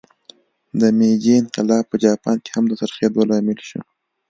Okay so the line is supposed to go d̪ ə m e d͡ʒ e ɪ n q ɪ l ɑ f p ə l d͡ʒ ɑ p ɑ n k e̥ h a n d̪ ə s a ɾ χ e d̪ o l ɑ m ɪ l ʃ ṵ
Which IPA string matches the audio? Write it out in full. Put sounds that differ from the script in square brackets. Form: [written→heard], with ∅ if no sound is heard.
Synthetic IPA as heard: d̪ ə m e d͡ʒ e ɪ n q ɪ l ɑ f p ə [l→∅] d͡ʒ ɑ p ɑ n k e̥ h a [n→m] d̪ ə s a ɾ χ e d̪ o l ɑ m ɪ l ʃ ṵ